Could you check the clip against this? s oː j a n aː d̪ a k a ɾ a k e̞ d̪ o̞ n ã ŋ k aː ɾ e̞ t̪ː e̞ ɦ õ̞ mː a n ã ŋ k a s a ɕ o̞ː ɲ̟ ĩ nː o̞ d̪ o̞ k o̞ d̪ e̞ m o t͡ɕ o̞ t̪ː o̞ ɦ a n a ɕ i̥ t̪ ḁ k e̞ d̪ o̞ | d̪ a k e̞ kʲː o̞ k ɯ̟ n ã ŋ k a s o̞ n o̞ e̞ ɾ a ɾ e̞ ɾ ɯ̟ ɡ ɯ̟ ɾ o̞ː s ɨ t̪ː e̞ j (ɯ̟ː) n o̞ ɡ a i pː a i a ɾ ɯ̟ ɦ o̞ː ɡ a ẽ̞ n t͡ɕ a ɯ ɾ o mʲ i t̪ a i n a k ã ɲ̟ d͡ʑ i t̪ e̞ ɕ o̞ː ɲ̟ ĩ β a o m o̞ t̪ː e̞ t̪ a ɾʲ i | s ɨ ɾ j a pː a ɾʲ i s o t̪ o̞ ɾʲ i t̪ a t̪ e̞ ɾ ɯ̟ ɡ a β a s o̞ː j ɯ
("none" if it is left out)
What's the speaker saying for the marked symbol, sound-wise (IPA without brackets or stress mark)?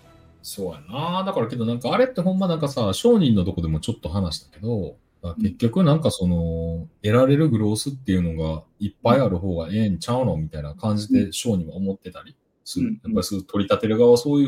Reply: ɯ̟